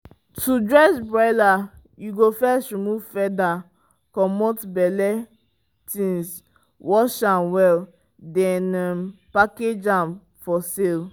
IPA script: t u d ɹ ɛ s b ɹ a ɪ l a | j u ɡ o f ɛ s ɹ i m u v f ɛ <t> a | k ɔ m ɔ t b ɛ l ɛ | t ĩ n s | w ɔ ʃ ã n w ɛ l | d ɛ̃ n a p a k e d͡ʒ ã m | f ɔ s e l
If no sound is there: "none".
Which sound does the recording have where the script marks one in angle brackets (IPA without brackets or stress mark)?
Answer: d